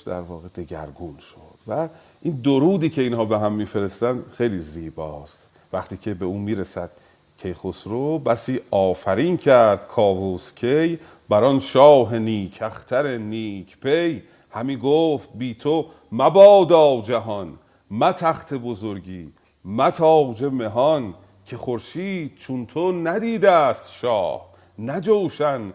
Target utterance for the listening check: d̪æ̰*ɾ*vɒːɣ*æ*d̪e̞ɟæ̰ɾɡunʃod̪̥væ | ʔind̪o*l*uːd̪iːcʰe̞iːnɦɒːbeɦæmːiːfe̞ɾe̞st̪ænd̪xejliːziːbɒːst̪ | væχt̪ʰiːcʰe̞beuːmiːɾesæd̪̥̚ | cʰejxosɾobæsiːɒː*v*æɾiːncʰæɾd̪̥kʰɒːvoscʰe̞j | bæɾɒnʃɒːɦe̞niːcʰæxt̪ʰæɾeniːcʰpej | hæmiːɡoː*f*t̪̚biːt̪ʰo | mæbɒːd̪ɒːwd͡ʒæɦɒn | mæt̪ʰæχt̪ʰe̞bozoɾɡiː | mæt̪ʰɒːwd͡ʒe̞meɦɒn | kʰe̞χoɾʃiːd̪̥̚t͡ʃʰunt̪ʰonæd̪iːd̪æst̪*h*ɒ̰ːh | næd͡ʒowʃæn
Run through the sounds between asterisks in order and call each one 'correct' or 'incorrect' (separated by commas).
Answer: correct, incorrect, incorrect, incorrect, correct, incorrect